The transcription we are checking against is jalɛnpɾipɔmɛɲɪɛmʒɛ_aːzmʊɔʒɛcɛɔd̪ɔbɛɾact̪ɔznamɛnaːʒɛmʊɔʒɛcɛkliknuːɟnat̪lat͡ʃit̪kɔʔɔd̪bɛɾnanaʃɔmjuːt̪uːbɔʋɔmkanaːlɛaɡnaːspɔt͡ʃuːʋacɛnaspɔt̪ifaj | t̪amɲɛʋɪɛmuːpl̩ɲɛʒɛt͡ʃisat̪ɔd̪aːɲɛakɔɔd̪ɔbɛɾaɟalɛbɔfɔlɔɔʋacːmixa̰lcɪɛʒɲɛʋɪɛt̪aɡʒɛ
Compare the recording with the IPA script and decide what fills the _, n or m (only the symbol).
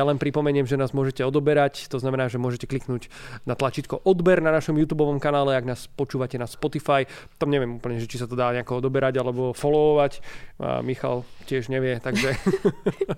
n